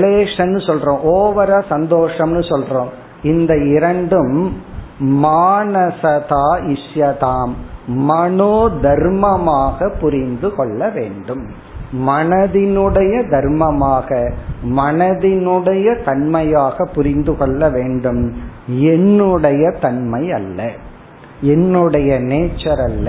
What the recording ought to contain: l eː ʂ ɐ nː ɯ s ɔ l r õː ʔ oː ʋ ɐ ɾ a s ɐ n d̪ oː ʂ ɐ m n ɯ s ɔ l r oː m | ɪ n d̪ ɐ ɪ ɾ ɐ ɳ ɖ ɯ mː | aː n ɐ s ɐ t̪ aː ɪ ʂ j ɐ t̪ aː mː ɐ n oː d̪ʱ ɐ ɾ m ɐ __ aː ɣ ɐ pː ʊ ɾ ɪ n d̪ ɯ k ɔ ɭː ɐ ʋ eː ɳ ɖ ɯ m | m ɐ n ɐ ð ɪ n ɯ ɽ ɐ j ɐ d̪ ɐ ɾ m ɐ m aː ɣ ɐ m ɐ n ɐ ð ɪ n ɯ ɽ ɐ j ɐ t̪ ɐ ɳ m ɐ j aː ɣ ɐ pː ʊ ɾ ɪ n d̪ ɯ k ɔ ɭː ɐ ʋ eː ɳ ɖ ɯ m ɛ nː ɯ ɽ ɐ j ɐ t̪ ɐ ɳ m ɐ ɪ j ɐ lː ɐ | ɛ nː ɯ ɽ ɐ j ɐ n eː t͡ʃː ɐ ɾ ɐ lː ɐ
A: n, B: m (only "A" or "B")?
B